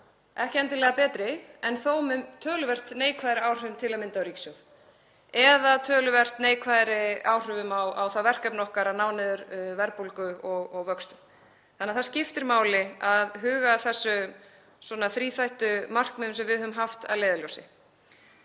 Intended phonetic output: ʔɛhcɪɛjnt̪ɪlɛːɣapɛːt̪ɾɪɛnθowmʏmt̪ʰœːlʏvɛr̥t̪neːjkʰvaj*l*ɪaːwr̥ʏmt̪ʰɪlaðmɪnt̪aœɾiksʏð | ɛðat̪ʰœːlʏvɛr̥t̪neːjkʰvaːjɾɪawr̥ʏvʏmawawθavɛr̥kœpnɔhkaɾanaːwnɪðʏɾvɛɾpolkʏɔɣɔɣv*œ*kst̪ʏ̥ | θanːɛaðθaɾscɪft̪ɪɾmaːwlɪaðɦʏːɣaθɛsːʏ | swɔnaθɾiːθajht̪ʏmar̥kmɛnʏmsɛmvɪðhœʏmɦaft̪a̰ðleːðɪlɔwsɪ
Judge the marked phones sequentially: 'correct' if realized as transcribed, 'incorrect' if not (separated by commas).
incorrect, correct